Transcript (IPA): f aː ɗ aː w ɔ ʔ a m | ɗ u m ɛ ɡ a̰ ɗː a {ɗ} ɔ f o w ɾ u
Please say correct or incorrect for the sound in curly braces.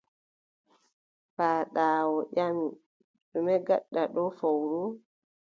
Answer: correct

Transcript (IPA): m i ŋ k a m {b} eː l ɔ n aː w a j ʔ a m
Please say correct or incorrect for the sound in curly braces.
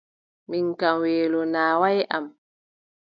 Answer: incorrect: w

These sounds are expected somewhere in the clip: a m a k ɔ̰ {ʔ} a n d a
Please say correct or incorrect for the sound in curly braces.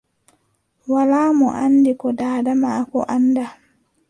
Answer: correct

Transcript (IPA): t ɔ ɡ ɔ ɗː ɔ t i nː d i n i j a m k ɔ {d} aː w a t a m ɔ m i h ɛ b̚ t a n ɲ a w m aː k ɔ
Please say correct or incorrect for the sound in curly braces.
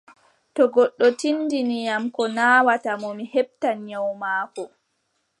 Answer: incorrect: n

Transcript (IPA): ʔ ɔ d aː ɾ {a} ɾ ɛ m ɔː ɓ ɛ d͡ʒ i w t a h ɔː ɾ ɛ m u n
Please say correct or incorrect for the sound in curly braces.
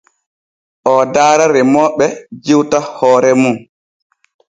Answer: correct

